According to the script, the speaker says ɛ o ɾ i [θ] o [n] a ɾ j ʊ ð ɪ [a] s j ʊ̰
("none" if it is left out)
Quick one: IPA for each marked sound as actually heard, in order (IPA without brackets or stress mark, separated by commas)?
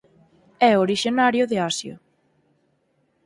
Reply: ʃ, n, a